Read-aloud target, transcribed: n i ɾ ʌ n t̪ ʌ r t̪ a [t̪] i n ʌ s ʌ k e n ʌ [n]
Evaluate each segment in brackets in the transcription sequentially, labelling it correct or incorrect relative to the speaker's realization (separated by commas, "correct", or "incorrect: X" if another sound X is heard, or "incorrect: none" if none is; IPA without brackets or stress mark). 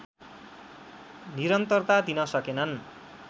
incorrect: d̪, correct